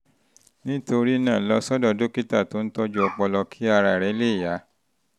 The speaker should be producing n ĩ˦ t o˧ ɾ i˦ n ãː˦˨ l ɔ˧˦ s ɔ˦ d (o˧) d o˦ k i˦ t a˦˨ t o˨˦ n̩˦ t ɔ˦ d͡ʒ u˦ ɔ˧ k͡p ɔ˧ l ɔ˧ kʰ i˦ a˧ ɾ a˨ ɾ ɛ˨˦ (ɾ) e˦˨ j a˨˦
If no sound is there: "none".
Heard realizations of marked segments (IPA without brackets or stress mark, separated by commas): ɔ˧, l